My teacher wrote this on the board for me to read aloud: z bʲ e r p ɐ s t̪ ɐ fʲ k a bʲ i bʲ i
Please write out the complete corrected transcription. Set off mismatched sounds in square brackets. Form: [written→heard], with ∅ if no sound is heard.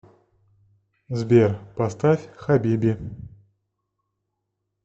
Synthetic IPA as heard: z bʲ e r p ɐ s t̪ [ɐ→a] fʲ [k→x] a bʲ i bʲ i